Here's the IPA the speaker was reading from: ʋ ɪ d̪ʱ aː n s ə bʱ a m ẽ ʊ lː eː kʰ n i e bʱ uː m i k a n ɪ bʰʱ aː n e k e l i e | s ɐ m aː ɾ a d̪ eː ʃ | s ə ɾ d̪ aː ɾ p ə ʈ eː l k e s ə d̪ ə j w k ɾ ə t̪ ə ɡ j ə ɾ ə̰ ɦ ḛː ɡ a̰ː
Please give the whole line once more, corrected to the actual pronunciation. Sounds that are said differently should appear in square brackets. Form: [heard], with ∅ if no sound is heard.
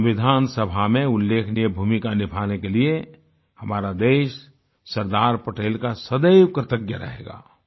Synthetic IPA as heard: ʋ ɪ d̪ʱ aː n s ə bʱ a m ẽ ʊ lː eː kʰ n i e bʱ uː m i k a n ɪ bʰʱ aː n e k e l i e | [h] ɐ m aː ɾ a d̪ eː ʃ | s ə ɾ d̪ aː ɾ p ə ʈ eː l k [a] s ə d̪ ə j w k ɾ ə t̪ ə ɡ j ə ɾ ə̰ ɦ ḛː ɡ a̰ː